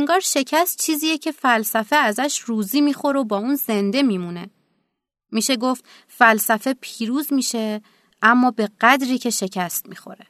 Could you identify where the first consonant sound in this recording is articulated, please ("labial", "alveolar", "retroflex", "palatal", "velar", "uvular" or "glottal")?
velar